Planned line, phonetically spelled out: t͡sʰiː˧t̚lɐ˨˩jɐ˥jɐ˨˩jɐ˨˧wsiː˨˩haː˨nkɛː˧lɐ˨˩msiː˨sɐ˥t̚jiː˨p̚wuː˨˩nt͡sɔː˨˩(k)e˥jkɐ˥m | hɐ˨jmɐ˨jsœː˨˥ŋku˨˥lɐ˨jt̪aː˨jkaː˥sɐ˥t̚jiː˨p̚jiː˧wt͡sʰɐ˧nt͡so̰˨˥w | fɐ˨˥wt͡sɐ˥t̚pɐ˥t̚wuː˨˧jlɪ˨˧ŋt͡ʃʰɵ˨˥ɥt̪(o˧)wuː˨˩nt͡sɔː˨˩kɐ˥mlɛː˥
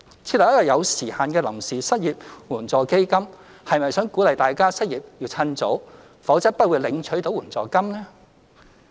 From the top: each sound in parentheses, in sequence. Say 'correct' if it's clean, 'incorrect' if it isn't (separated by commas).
correct, incorrect